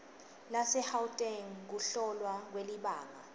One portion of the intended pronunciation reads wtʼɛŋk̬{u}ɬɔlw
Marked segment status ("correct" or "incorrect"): correct